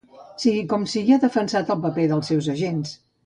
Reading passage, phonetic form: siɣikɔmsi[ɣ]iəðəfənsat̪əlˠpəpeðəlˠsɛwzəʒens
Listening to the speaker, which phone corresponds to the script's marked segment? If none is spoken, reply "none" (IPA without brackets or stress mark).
ɣ